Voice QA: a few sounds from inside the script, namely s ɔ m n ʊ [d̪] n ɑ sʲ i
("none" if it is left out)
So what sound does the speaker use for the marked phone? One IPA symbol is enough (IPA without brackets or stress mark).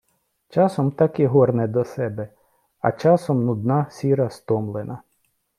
d̪